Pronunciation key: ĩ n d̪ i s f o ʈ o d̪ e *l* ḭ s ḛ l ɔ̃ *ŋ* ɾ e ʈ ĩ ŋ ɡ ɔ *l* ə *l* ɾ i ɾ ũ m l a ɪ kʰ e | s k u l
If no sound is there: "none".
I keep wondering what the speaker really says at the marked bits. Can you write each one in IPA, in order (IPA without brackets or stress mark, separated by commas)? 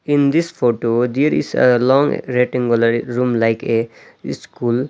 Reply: ɾ, ŋ, l, none